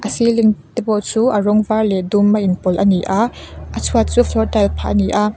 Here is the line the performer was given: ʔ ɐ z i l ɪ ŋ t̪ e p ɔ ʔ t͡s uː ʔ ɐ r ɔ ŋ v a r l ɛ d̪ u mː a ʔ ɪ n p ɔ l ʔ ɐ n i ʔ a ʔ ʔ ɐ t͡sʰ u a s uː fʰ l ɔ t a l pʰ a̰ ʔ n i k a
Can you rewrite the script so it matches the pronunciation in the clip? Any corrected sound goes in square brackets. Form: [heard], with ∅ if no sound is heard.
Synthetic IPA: ʔ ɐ [s] i l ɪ ŋ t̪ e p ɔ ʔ t͡s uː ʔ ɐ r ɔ ŋ v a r l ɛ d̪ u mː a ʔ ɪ n p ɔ l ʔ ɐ n i ʔ a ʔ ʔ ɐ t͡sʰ u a [t͡s] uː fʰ l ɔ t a l pʰ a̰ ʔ n i [ʔ] a